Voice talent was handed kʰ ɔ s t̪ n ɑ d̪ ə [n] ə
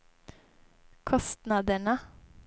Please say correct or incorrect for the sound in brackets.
incorrect